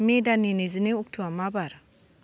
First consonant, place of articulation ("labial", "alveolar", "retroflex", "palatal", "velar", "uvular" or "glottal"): labial